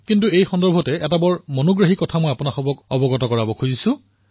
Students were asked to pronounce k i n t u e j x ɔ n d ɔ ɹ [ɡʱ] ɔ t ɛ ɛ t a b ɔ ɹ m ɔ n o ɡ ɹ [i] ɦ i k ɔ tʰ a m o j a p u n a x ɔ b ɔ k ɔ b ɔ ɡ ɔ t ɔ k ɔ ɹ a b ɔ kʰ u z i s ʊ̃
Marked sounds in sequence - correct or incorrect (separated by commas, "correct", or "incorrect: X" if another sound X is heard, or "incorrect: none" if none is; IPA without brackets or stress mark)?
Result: incorrect: bʱ, incorrect: a